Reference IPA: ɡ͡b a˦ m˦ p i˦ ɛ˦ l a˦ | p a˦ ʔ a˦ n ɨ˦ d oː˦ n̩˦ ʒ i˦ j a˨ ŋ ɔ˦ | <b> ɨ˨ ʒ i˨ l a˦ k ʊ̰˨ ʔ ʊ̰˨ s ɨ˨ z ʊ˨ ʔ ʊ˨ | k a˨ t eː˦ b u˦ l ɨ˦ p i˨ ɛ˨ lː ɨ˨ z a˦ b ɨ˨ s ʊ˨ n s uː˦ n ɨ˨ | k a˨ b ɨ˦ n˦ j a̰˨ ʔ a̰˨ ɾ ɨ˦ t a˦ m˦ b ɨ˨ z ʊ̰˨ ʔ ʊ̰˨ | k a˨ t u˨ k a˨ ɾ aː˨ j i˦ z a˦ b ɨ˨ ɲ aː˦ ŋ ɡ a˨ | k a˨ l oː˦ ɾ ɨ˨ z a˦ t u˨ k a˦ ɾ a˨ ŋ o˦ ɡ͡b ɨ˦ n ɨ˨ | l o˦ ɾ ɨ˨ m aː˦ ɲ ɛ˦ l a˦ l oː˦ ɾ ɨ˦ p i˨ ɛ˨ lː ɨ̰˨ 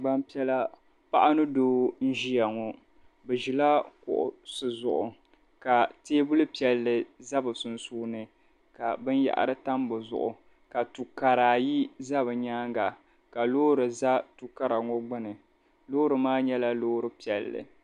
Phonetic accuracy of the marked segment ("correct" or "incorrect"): correct